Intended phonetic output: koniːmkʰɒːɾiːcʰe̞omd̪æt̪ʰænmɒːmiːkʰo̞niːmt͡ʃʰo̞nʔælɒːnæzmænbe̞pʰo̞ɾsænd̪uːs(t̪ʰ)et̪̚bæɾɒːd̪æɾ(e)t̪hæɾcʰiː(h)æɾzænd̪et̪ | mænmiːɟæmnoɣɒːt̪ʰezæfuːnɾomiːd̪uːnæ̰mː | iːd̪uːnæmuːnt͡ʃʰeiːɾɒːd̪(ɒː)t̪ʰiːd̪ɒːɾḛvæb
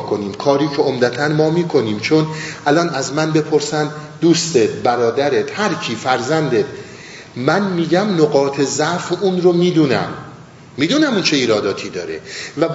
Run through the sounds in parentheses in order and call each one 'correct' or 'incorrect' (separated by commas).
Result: incorrect, correct, incorrect, correct